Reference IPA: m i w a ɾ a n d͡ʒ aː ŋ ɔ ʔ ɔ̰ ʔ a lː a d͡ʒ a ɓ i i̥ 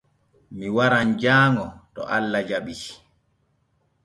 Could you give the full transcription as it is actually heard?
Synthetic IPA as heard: m i w a ɾ a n d͡ʒ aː ŋ ɔ t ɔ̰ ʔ a lː a d͡ʒ a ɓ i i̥